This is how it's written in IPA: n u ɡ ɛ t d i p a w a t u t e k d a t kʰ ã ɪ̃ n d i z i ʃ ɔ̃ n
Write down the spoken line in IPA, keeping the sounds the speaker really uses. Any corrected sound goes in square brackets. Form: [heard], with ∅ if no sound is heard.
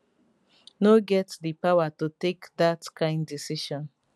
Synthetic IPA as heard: n [o] ɡ ɛ t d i p a w a t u t e k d a t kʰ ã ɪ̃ n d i [s] i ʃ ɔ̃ n